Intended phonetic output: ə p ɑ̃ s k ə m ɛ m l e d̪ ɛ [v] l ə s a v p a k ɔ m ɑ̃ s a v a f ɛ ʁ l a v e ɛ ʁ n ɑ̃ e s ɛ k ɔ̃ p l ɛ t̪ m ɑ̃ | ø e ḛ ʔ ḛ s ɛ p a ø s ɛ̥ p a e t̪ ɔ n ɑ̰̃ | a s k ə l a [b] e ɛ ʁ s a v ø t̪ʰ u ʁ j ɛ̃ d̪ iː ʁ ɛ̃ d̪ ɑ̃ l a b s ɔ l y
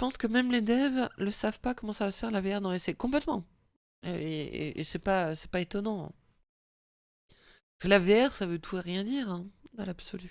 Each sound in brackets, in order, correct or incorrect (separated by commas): correct, incorrect